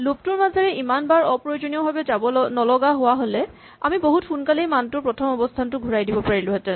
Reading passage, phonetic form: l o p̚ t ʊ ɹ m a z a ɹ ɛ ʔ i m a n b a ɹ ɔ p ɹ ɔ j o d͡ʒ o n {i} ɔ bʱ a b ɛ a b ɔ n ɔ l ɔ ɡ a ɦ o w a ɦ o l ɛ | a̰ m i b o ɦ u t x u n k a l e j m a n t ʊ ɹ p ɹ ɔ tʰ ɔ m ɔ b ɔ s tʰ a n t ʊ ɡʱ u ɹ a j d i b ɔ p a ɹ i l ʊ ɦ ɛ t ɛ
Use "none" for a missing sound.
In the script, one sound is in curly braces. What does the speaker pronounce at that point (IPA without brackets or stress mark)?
i